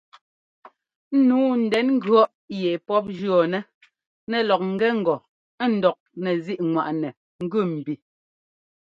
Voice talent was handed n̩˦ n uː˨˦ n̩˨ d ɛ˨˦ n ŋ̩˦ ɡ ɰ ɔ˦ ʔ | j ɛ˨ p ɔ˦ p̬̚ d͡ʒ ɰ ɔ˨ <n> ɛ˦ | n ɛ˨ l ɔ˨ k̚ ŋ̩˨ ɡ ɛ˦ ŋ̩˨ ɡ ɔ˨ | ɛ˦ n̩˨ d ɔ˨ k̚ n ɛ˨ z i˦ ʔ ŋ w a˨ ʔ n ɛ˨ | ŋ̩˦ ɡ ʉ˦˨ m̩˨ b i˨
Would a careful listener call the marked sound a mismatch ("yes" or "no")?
no